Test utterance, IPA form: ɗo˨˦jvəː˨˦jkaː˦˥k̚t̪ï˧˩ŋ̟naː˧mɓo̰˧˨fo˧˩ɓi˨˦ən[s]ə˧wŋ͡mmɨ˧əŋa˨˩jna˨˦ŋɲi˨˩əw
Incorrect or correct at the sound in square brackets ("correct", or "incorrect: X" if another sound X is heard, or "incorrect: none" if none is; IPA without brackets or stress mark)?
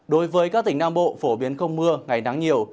incorrect: x